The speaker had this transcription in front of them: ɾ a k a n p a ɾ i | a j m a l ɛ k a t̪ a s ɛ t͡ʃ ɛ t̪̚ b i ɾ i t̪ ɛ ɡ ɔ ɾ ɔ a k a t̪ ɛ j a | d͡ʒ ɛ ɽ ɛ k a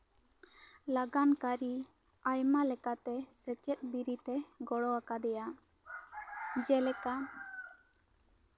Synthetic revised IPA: l a ɡ a n k a ɾ i | a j m a l ɛ k a t̪ ɛ s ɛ t͡ʃ ɛ t̪̚ b i ɾ i t̪ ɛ ɡ ɔ ɽ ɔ a k a d̪ ɛ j a | d͡ʒ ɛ l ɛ k a